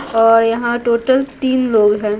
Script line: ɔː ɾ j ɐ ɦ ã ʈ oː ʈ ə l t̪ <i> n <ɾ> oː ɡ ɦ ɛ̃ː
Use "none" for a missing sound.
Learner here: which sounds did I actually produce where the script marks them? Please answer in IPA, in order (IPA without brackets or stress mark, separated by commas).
iː, l